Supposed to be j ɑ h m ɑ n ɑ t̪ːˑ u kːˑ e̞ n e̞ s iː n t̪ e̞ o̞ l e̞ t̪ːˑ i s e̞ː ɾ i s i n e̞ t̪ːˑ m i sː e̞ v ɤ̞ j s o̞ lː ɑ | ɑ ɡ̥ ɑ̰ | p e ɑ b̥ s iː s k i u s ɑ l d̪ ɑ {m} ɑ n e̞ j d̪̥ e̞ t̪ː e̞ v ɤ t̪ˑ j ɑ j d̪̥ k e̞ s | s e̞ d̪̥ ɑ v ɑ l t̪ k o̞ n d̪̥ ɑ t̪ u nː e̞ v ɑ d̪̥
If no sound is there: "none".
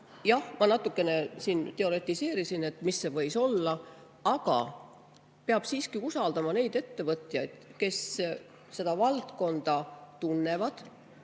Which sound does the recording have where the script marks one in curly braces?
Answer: m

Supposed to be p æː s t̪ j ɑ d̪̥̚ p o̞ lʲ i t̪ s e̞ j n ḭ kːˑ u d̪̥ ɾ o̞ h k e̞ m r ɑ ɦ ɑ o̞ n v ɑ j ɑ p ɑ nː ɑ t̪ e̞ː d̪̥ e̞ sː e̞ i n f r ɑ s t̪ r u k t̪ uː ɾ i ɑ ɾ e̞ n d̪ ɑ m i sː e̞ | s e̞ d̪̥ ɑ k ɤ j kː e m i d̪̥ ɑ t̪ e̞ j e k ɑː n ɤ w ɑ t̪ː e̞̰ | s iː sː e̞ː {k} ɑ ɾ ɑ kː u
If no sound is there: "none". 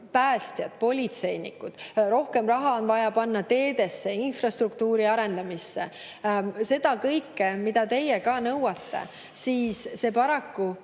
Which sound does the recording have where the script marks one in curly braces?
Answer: p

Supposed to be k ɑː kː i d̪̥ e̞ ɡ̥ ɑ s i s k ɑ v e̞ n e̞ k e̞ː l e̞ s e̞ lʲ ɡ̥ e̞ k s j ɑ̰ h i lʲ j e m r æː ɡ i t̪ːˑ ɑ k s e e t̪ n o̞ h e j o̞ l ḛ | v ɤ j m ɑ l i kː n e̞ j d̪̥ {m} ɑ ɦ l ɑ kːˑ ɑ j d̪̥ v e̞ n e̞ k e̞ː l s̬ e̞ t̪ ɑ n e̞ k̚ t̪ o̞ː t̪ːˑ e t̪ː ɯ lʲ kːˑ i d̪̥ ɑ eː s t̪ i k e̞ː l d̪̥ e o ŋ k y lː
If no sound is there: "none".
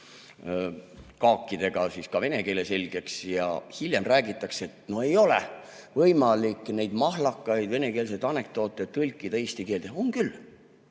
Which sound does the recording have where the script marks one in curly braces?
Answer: m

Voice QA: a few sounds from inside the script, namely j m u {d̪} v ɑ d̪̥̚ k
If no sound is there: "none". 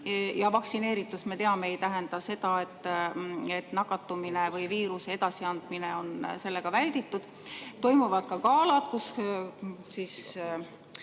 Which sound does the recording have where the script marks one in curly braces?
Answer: none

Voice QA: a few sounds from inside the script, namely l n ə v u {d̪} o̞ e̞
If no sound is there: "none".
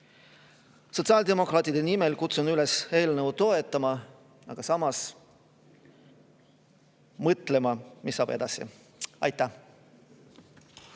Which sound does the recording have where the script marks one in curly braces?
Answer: t̪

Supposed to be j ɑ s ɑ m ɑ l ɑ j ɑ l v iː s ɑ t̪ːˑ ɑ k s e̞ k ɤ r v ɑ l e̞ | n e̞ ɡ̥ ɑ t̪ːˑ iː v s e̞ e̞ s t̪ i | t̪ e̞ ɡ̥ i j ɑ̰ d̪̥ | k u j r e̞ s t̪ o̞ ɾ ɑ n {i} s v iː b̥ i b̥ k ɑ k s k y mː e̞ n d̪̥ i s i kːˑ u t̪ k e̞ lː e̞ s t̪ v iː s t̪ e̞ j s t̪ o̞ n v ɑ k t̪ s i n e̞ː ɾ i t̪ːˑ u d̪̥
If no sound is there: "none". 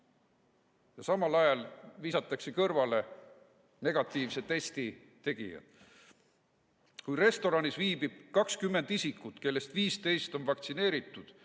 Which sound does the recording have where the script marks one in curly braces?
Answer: i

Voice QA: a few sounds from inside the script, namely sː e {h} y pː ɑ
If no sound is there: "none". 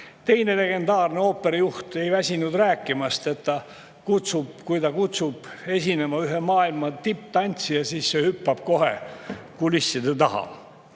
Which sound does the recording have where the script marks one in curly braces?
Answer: h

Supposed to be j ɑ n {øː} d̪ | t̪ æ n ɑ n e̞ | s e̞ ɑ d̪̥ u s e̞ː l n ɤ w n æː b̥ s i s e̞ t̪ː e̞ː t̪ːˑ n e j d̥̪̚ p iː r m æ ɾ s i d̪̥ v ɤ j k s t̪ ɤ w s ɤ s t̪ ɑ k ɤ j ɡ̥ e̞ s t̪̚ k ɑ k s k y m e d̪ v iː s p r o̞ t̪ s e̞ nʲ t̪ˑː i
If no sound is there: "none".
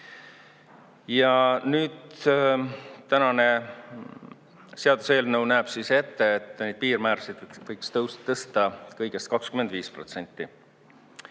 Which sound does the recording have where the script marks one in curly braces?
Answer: yː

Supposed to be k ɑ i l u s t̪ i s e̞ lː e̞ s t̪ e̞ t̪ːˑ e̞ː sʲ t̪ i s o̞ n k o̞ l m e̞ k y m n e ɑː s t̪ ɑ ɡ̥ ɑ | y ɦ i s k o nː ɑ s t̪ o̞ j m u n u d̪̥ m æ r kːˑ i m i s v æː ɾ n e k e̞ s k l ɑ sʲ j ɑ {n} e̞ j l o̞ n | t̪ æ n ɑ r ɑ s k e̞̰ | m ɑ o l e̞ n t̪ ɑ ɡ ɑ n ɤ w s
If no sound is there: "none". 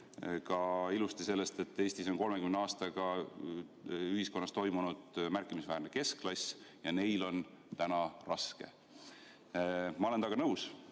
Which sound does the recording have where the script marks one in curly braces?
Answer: n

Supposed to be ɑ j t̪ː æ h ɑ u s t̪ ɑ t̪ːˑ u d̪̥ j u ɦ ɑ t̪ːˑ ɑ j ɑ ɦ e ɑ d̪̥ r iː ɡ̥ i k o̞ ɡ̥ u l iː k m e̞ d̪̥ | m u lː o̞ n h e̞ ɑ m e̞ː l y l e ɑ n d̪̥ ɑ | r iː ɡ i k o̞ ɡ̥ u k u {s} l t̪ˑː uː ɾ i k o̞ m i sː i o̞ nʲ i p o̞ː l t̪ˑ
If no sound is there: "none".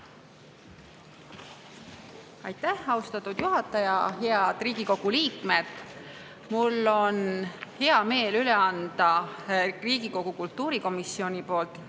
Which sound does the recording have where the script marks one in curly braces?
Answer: none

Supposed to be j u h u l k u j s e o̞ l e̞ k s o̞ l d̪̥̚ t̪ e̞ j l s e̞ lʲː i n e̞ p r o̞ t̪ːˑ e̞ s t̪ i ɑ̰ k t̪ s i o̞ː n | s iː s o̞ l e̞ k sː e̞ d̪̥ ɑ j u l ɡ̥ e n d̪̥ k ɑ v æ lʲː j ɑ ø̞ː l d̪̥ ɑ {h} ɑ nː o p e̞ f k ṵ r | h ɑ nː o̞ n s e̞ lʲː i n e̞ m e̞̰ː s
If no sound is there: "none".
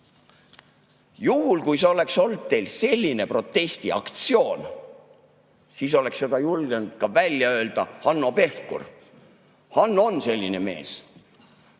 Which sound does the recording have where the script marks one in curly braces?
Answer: h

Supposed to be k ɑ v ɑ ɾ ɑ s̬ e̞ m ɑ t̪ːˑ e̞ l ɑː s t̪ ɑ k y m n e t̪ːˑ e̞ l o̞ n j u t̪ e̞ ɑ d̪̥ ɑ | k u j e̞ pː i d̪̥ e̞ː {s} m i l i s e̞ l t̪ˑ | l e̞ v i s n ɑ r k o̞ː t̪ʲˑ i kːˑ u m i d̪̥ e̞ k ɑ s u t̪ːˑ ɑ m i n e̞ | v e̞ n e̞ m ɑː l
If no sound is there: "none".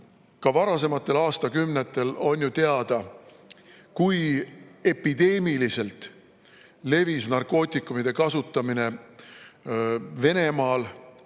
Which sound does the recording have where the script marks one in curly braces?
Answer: none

